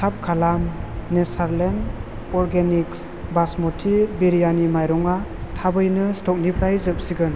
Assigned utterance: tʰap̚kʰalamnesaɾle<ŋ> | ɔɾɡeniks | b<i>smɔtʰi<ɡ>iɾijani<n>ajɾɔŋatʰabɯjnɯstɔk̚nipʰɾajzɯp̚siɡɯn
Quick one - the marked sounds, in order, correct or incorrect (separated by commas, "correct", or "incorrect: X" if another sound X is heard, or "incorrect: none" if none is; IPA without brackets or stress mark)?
incorrect: n, incorrect: a, incorrect: b, incorrect: m